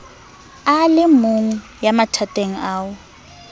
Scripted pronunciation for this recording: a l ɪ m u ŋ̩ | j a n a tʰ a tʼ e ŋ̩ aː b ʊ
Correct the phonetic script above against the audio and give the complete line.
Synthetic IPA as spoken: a l ɪ m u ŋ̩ | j a m a tʰ a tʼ e ŋ̩ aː w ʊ